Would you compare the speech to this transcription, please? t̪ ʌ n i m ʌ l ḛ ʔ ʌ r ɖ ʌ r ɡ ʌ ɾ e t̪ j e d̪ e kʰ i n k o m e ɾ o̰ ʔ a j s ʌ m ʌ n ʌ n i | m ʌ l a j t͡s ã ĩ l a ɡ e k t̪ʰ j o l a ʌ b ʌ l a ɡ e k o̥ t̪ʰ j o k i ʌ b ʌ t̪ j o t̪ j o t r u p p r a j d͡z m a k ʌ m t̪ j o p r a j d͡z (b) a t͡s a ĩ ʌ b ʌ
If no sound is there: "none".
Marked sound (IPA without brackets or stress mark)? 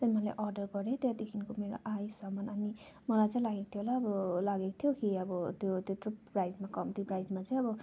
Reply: m